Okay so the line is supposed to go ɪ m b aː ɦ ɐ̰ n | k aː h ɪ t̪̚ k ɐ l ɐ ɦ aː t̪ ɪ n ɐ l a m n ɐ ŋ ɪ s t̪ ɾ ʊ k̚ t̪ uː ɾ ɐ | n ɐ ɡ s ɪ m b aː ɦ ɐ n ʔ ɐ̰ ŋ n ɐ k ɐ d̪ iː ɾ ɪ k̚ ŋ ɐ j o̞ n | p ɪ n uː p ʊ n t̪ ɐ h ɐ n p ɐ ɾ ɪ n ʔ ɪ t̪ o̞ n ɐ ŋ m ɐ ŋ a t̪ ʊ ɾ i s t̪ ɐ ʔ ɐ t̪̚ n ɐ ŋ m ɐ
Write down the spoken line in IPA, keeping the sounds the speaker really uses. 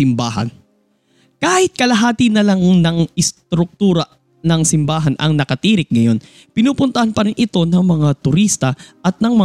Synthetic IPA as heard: ɪ m b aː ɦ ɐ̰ n | k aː h ɪ t̪̚ k ɐ l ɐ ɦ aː t̪ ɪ n ɐ l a ŋ n ɐ ŋ ɪ s t̪ ɾ ʊ k̚ t̪ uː ɾ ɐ | n ɐ ŋ s ɪ m b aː ɦ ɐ n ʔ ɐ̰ ŋ n ɐ k ɐ t̪ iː ɾ ɪ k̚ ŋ ɐ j o̞ n | p ɪ n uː p ʊ n t̪ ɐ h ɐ n p ɐ ɾ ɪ n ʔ ɪ t̪ o̞ n ɐ ŋ m ɐ ŋ a t̪ ʊ ɾ i s t̪ ɐ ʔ ɐ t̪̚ n ɐ ŋ m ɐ